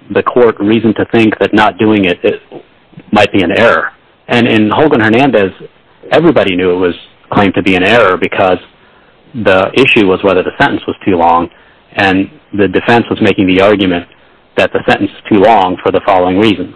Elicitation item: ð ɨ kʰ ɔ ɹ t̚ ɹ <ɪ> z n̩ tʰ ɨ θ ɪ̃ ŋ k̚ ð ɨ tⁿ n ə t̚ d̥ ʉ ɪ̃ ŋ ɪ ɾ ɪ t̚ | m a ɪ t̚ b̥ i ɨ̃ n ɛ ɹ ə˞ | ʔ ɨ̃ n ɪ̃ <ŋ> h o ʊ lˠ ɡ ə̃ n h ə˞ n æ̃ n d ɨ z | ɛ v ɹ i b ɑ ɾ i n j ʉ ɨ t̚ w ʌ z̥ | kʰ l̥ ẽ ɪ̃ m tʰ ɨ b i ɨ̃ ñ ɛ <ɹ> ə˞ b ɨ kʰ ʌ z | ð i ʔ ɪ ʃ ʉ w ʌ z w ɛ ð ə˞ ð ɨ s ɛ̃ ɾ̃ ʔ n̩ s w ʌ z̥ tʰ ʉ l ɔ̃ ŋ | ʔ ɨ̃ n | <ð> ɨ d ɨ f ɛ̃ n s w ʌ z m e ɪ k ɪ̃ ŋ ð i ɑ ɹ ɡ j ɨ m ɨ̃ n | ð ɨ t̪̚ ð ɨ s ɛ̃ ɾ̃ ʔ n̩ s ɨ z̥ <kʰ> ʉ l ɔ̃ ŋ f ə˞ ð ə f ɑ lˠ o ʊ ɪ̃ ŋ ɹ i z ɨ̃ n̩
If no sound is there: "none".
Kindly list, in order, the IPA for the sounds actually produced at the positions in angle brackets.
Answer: i, n, ɹ, ð, tʰ

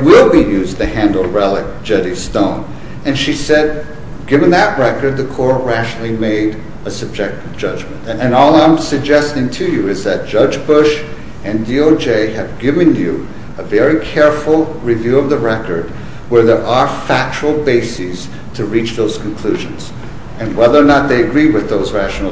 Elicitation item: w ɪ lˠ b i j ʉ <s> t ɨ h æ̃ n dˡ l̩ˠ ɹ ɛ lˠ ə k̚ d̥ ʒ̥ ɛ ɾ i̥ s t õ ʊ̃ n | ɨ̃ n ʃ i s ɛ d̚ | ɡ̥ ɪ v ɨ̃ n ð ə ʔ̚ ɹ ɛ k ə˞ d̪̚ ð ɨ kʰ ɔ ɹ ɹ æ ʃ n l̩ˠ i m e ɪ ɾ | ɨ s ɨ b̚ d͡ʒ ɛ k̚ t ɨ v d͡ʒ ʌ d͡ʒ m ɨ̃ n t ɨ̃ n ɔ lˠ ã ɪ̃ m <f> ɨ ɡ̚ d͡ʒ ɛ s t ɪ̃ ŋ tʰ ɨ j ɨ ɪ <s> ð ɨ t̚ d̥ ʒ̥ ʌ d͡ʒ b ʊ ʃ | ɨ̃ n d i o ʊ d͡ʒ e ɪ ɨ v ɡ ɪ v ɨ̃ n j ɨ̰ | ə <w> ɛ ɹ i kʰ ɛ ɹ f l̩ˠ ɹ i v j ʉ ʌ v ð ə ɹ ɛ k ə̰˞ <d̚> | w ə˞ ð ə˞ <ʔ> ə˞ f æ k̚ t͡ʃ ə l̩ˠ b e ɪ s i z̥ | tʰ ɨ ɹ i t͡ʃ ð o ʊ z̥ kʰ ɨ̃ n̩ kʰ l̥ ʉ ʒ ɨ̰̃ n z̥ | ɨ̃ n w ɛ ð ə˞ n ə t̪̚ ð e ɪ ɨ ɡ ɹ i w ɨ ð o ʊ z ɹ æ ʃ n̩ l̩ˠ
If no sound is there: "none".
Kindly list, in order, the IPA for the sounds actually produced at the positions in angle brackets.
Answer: z, s, z, v, d̚, ʔ

